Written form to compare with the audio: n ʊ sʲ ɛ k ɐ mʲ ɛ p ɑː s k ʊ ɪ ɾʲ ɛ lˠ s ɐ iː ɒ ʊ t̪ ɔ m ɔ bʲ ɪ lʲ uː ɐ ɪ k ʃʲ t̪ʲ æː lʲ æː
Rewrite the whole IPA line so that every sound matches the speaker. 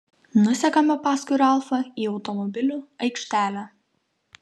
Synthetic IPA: n ʊ sʲ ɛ k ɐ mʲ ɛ p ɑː s k ʊ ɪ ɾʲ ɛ lˠ f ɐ iː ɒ ʊ t̪ ɔ m ɔ bʲ ɪ lʲ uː ɐ ɪ k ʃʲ t̪ʲ æː lʲ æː